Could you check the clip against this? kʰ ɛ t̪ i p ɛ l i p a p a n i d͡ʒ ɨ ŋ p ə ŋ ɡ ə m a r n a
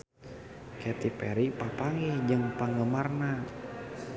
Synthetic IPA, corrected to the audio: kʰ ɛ t̪ i p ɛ ɾ i p a p a ŋ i d͡ʒ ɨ ŋ p a ŋ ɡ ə m a r n a